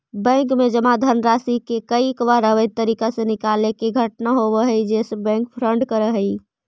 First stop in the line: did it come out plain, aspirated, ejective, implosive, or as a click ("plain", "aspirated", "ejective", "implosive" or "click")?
plain